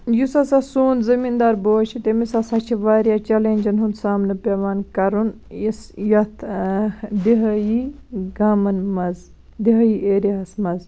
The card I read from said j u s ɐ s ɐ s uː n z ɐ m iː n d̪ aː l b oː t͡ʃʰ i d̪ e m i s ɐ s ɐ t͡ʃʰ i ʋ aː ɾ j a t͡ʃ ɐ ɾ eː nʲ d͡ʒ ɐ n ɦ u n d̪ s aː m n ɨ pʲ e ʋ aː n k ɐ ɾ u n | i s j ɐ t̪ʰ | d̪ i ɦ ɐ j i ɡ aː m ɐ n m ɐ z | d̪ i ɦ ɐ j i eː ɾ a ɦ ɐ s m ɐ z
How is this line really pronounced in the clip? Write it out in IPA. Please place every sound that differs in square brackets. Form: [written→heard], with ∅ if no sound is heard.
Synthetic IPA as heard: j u s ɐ s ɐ s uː n z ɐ m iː n d̪ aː [l→ɾ] b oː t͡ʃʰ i [d̪→t̪] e m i s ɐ s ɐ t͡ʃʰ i ʋ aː ɾ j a t͡ʃ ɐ [ɾ→l] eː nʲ d͡ʒ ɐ n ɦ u n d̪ s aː m n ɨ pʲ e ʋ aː n k ɐ ɾ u n | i s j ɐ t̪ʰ | d̪ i ɦ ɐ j i ɡ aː m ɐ n m ɐ z | d̪ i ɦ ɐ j i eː ɾ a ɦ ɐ s m ɐ z